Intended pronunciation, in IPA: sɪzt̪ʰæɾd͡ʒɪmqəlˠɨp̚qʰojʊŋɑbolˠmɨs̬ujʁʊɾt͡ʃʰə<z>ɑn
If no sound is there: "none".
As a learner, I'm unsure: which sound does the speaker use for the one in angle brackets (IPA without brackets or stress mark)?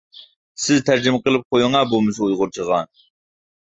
ʁ